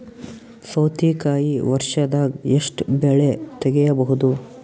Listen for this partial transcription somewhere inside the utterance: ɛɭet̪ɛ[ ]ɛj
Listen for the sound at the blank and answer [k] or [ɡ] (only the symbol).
ɡ